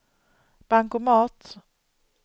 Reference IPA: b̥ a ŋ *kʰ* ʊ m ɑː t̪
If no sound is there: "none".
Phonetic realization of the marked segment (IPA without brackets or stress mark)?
k